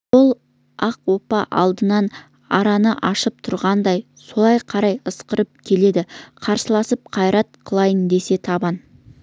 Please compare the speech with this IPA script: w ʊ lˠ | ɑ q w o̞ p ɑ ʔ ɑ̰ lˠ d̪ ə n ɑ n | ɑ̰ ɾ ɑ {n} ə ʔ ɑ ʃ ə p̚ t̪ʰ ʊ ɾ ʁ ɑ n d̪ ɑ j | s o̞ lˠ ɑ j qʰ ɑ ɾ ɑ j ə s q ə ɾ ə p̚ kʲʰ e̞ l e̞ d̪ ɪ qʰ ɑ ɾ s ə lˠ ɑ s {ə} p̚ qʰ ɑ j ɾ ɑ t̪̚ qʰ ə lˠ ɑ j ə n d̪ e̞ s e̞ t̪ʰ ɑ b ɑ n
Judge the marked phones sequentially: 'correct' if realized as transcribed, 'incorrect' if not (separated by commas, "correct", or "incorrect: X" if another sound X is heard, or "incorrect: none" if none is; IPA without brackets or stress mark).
correct, correct